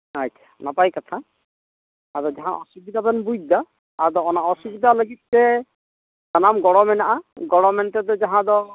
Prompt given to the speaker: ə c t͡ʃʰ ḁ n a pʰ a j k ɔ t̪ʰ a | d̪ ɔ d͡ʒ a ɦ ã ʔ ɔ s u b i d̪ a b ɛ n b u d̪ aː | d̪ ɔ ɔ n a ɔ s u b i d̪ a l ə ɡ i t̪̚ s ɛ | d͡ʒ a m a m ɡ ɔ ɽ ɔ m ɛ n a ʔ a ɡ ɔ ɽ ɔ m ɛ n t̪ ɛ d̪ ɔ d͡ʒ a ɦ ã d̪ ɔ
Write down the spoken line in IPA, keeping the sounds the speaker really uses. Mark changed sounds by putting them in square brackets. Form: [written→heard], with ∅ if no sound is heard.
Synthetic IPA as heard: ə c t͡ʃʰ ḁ n a [pʰ→p] a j k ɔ t̪ʰ a | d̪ ɔ d͡ʒ a ɦ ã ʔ ɔ s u b i d̪ a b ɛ n b u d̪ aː | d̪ ɔ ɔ n a ɔ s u b i d̪ a l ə ɡ i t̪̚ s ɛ | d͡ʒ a [m→n] a m ɡ ɔ ɽ ɔ m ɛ n a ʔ a ɡ ɔ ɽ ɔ m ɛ n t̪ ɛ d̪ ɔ d͡ʒ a ɦ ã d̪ ɔ